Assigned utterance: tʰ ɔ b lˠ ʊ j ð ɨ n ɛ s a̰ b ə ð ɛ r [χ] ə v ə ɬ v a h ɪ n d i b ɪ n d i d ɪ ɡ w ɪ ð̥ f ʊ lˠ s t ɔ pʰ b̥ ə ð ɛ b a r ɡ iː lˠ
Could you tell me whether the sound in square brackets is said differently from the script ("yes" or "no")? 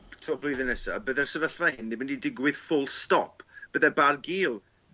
yes